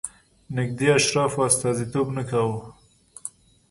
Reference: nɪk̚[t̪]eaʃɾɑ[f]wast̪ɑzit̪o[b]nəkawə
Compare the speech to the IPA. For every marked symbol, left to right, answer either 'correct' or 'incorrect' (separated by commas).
incorrect, correct, correct